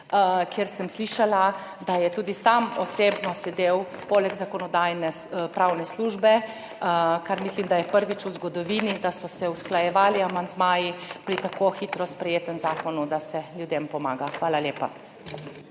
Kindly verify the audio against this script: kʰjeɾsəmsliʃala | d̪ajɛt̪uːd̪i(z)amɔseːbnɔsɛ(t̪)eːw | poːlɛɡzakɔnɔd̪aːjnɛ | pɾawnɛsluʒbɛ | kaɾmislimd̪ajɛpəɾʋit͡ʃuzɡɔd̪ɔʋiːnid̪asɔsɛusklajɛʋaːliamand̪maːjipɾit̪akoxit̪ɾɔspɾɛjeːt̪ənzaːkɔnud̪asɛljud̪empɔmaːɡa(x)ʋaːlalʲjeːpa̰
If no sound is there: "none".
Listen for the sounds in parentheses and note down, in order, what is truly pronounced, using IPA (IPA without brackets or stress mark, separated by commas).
s, d̪, x